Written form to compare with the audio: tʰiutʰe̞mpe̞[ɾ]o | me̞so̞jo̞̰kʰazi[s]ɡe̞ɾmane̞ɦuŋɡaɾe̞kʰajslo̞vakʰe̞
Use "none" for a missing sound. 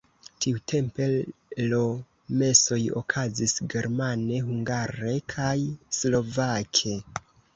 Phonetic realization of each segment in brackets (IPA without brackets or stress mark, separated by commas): l, s